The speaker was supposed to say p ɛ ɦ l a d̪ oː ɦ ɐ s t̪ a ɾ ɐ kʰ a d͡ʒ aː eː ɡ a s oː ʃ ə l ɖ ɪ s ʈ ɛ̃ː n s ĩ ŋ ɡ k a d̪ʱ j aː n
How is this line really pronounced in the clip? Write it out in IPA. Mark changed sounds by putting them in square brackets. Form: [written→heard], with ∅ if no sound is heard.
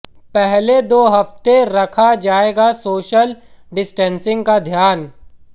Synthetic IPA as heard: p ɛ ɦ l [a→e] d̪ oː ɦ ɐ [s→f] t̪ [a→e] ɾ ɐ kʰ a d͡ʒ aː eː ɡ a s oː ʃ ə l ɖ ɪ s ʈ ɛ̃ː n s [ĩ→ɪ̃] ŋ ɡ k a d̪ʱ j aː n